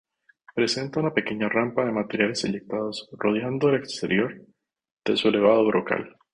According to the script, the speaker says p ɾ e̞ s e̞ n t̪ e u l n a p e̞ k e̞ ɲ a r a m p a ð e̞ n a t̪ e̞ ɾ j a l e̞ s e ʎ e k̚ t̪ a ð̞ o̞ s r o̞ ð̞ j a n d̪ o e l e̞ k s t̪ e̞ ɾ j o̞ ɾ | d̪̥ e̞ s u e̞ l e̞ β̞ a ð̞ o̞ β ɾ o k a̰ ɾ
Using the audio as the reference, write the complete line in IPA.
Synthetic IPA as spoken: p ɾ e̞ s e̞ n t̪ a u n a p e̞ k e̞ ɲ a r a m p a ð e̞ m a t̪ e̞ ɾ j a l e̞ s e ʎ e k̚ t̪ a ð̞ o̞ s r o̞ ð̞ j a n d̪ o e l e̞ k s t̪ e̞ ɾ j o̞ ɾ | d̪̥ e̞ s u e̞ l e̞ β̞ a ð̞ o̞ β ɾ o k a̰ l